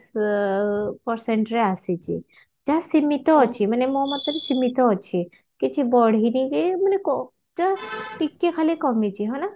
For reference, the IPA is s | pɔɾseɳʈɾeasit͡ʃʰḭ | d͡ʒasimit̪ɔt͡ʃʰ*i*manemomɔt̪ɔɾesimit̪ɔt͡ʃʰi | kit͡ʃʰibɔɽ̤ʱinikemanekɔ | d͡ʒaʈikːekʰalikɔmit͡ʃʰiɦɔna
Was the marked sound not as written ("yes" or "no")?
no